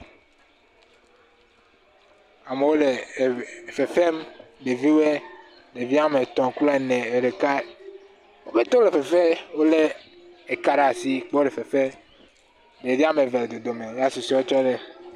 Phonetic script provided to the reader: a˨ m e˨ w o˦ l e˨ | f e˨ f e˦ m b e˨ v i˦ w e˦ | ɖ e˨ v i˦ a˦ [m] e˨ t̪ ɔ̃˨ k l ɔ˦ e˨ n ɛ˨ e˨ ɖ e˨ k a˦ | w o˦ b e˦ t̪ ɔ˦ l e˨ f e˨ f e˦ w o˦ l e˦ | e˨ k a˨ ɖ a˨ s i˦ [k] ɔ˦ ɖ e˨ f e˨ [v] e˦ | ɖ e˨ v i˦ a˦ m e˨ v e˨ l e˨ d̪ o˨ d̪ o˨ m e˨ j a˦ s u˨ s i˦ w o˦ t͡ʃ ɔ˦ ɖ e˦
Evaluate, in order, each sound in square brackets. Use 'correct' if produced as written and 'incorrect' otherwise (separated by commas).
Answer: correct, incorrect, incorrect